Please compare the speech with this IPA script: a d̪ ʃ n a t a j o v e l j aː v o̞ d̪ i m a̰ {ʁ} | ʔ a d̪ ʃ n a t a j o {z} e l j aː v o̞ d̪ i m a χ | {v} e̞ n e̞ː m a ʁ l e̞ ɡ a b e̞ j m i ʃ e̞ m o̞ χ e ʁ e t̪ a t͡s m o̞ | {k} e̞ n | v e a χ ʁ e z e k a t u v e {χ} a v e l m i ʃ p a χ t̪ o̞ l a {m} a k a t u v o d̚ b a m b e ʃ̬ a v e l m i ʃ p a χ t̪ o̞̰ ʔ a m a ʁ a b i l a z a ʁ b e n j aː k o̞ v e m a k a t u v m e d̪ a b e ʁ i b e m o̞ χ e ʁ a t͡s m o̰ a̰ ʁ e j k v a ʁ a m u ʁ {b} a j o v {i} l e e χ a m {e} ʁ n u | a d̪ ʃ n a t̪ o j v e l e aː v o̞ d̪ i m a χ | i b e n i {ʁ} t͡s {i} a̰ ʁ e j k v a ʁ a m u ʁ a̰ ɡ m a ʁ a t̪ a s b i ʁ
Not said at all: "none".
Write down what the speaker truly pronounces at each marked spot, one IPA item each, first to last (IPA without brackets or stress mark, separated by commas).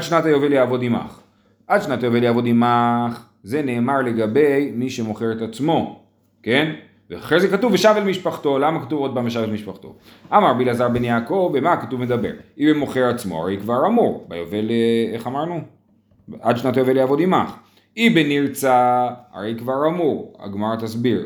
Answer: χ, v, z, k, ʃ, m, b, e, a, ʁ, a